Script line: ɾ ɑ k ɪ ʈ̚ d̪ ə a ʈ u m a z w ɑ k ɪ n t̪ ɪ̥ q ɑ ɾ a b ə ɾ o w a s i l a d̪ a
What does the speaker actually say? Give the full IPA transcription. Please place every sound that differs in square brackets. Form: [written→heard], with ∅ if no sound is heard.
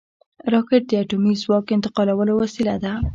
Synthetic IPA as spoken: ɾ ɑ k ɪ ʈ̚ d̪ ə a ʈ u m [a→i] z w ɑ k ɪ n t̪ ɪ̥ q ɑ [ɾ→l] a [b→w] ə [ɾ→l] o w a s i l a d̪ a